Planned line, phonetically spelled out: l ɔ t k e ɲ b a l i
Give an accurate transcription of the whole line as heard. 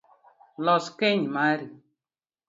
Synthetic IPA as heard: l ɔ s k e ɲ m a ɾ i